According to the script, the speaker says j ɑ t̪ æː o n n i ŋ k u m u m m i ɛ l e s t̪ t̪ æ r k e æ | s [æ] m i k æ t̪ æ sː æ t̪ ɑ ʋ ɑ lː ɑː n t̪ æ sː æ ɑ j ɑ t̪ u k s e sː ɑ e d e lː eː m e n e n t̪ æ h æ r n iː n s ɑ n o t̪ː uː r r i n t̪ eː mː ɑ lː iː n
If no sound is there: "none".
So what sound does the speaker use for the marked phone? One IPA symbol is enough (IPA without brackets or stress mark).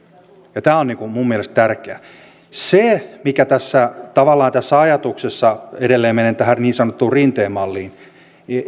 e